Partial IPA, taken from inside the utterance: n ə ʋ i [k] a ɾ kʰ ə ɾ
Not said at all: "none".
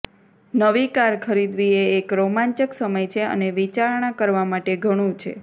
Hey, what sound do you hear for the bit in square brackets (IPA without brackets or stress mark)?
k